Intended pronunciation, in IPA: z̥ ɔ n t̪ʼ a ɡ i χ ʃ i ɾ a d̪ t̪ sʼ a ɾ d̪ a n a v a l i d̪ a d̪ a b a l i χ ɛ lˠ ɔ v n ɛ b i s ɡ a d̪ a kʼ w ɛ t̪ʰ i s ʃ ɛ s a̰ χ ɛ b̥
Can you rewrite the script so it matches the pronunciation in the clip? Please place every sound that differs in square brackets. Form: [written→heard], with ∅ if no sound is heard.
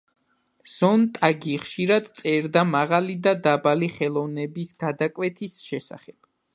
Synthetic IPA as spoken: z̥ ɔ n t̪ʼ a ɡ i χ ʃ i ɾ a d̪ t̪ sʼ [a→ɛ] ɾ d̪ a [n→m] a [v→ʁ] a l i d̪ a d̪ a b a l i χ ɛ lˠ ɔ v n ɛ b i s ɡ a d̪ a kʼ w ɛ t̪ʰ i s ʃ ɛ s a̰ χ ɛ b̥

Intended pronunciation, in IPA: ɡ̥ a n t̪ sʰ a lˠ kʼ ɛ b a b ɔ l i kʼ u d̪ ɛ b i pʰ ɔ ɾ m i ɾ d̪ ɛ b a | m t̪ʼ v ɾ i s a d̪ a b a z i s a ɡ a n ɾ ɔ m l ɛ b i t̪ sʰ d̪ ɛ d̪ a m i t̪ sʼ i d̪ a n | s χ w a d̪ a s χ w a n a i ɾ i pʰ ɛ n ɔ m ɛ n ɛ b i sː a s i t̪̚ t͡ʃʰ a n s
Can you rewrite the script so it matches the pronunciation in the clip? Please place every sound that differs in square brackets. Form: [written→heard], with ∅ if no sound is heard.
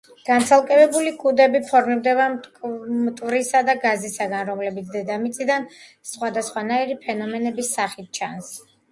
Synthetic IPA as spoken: ɡ̥ a n t̪ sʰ a lˠ kʼ ɛ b [a→ɛ] b [ɔ→u] l i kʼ u d̪ ɛ b i pʰ ɔ ɾ m i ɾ d̪ ɛ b a | m t̪ʼ v ɾ i s a d̪ a [b→ɡ] a z i s a ɡ a n ɾ ɔ m l ɛ b i t̪ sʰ d̪ ɛ d̪ a m i t̪ sʼ i d̪ a n | s χ w a d̪ a s χ w a n a i ɾ i pʰ ɛ n ɔ m ɛ n ɛ b i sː a [s→χ] i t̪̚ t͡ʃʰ a n s

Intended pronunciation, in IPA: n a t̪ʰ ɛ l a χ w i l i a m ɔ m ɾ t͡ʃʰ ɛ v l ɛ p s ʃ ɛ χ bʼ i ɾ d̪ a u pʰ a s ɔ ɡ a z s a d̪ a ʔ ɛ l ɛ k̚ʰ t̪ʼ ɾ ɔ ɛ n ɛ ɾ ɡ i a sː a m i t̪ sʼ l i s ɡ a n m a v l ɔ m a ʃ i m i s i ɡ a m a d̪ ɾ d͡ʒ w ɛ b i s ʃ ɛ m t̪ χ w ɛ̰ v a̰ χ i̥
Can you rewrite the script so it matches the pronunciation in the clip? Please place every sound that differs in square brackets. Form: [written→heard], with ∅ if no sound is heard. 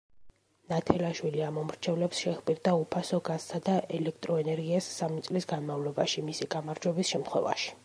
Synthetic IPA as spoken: n a t̪ʰ ɛ l a [χ→ʃ] w i l i a m ɔ m ɾ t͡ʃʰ ɛ v l ɛ p s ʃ ɛ χ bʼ i ɾ d̪ a u pʰ a s ɔ ɡ a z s a d̪ a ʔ ɛ l ɛ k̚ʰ t̪ʼ ɾ ɔ ɛ n ɛ ɾ ɡ i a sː a m i t̪ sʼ l i s ɡ a n m a v l ɔ [m→b] a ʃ i m i s i ɡ a m a [d̪→∅] ɾ d͡ʒ w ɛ b i s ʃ ɛ m t̪ χ w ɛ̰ v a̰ [χ→ʃ] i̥

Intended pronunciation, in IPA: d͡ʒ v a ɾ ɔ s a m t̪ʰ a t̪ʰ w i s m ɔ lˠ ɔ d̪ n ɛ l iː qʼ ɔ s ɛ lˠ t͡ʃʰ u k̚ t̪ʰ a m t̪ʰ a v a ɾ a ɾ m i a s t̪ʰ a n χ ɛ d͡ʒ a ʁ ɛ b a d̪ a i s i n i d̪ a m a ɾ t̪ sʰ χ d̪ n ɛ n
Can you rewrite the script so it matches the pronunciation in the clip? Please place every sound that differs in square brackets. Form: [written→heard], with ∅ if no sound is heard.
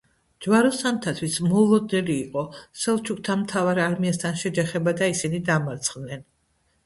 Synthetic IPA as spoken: d͡ʒ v a ɾ ɔ s a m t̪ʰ a t̪ʰ w i s m ɔ lˠ ɔ d̪ n ɛ l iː qʼ ɔ s ɛ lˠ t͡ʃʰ u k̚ t̪ʰ a m t̪ʰ a v a ɾ a ɾ m i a s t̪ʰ a n [χ→ʃ] ɛ d͡ʒ a [ʁ→χ] ɛ b a d̪ a i s i n i d̪ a m a ɾ t̪ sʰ χ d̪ n ɛ n

